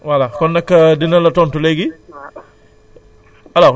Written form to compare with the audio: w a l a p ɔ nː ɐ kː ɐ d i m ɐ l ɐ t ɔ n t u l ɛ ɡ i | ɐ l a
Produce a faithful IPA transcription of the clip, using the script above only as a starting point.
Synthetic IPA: w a l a k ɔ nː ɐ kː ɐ d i n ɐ l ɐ t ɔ n t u l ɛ ɡ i | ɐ l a

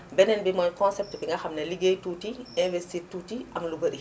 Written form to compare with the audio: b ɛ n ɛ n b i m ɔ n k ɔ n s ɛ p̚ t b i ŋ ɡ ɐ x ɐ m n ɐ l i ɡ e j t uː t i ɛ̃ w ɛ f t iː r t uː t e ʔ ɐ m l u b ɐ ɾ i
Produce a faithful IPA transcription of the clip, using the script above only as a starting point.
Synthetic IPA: b ɛ n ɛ n b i m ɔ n k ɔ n s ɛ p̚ t b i ŋ ɡ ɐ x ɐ m n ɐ l i ɡ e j t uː t i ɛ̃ v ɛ s t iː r t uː t i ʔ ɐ m l u b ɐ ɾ i

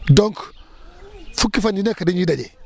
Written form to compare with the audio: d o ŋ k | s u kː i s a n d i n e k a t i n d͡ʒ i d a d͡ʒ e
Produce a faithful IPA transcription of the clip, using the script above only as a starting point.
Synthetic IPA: d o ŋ k | f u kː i f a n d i n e k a d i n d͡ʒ i d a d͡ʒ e

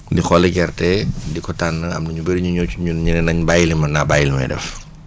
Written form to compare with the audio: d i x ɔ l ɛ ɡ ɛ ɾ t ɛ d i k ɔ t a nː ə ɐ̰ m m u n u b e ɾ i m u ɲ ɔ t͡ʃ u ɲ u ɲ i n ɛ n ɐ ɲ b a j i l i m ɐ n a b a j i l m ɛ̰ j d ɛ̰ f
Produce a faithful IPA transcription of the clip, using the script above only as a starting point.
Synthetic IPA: d i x ɔ l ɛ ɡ ɛ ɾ t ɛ d i k ɔ t a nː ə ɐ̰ m n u ɲ u b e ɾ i ɲ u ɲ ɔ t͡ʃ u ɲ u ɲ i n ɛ n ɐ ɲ b a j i l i m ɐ n a b a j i l m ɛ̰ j d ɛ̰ f

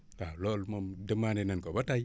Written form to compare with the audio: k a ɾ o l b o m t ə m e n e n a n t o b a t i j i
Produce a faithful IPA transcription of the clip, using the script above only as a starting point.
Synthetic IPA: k a l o l m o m d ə m a n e n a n k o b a t a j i

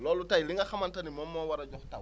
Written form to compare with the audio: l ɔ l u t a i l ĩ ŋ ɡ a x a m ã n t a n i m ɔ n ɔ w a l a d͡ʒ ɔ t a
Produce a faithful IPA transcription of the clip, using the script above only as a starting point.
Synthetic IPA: l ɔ l u t a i l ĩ ŋ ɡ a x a m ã n t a n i m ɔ m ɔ w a ɾ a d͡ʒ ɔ t a

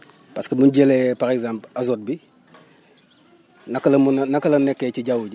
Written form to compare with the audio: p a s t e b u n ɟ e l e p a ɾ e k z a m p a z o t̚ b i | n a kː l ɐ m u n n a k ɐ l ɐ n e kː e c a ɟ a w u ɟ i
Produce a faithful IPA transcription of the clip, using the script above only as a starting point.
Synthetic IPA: p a s k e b u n ɟ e l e p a ɾ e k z a m p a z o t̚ b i | n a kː l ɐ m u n n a k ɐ l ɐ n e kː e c i ɟ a w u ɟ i

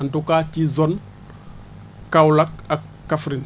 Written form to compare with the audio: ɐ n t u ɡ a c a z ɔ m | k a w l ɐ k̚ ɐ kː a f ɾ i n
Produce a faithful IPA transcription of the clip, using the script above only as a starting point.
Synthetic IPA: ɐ n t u k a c i z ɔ n | k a w l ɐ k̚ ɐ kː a f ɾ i n

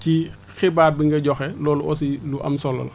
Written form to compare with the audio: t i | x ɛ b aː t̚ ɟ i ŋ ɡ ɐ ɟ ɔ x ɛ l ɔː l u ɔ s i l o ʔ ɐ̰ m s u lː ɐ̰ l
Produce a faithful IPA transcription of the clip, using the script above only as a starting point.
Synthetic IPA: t i | x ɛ b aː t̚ b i ŋ ɡ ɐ ɟ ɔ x ɛ l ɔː l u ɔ s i l u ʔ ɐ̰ m s ɔ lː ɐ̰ l

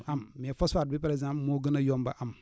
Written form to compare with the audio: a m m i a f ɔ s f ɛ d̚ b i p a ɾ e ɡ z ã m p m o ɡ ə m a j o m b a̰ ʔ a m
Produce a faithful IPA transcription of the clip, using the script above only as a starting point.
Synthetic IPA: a m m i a f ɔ s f a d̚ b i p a ɾ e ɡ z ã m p m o ɡ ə n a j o m b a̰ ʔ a m

